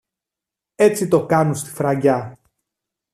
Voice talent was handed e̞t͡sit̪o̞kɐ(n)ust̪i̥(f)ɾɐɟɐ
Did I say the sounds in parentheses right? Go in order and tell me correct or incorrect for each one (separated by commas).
correct, correct